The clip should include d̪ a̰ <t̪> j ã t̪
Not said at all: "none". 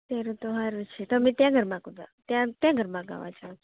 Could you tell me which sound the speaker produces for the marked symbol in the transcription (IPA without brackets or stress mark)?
t̪